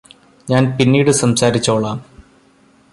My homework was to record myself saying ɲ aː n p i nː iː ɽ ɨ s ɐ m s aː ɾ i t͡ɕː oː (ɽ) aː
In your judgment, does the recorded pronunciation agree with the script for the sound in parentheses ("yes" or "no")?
no